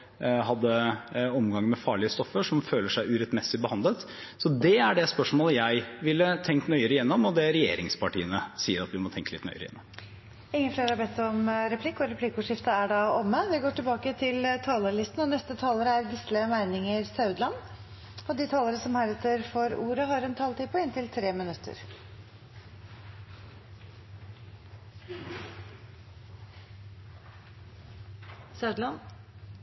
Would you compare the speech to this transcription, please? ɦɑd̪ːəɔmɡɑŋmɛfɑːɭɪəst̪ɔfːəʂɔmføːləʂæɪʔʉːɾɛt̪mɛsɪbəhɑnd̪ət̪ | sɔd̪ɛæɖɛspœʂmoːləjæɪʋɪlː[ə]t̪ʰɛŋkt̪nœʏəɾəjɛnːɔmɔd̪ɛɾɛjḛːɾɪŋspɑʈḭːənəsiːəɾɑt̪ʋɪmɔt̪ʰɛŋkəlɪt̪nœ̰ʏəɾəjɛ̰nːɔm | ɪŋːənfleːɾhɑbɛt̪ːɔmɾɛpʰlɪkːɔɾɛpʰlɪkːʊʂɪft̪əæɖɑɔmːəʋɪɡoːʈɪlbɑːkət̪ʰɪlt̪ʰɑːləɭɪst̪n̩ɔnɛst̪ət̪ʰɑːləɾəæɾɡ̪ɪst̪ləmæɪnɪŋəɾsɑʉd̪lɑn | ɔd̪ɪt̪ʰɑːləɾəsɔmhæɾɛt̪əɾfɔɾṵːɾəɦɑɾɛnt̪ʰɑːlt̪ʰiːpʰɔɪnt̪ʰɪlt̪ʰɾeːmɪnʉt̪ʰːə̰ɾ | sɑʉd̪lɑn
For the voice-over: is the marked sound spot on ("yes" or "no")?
yes